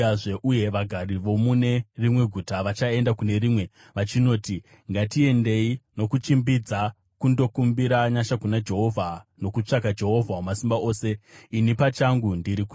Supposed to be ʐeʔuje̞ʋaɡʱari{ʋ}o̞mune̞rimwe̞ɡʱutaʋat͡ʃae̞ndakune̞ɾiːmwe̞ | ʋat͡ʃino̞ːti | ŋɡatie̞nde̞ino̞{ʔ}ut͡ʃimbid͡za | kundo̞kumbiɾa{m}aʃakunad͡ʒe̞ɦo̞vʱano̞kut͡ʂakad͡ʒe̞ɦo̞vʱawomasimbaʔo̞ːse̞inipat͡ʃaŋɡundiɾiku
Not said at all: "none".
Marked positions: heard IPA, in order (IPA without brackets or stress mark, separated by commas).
ʋ, k, ɲ